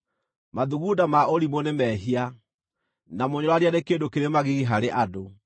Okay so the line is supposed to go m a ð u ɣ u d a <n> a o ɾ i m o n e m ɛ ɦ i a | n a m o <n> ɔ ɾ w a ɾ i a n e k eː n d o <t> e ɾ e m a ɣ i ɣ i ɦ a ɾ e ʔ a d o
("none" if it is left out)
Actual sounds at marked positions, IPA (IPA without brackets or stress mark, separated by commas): m, ɲ, k